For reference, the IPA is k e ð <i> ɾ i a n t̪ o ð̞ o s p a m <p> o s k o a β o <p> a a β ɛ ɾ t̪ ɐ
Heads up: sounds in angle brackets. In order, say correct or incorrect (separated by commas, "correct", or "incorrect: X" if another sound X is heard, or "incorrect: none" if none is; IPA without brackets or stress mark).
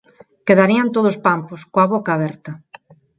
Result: incorrect: a, correct, incorrect: k